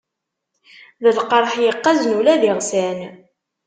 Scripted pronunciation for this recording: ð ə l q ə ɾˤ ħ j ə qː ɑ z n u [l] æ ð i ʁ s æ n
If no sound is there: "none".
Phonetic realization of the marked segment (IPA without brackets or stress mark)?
l